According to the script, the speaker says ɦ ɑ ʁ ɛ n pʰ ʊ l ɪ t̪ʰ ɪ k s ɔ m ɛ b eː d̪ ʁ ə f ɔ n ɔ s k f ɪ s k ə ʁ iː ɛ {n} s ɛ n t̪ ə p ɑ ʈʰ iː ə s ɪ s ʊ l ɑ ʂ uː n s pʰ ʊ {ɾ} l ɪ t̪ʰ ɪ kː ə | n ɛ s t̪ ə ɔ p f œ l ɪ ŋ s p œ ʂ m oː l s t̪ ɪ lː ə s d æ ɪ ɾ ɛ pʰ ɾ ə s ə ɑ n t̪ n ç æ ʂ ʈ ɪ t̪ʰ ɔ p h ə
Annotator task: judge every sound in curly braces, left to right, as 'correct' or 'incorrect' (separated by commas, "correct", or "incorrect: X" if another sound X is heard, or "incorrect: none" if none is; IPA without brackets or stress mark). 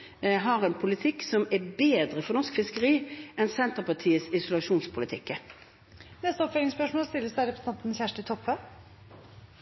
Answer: correct, incorrect: none